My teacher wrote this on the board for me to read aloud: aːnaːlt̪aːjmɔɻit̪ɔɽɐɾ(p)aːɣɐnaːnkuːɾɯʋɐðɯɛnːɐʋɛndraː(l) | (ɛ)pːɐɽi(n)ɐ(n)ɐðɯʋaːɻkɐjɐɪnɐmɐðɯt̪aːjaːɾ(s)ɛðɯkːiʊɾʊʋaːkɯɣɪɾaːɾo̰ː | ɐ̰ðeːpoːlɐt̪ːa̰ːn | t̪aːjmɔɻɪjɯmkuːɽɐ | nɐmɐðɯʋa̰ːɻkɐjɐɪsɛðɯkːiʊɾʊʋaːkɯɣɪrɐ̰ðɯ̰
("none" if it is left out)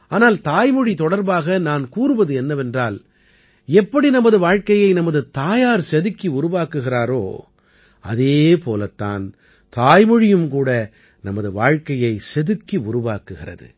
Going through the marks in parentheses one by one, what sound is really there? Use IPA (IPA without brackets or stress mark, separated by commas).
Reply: b, l, ɛ, n, m, s